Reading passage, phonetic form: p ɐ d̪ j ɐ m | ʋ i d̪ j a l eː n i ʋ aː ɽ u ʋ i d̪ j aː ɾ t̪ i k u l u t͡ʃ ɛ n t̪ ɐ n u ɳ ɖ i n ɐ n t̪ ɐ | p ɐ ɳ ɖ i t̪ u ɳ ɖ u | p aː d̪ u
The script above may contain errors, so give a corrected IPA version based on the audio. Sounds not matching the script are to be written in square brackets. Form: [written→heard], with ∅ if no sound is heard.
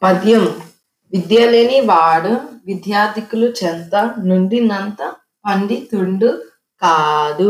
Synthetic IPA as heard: p ɐ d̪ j ɐ m | ʋ i d̪ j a l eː n i ʋ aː ɽ u ʋ i d̪ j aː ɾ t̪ i k u l u t͡ʃ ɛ n t̪ ɐ n u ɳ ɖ i n ɐ n t̪ ɐ | p ɐ ɳ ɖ i t̪ u ɳ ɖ u | [p→k] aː d̪ u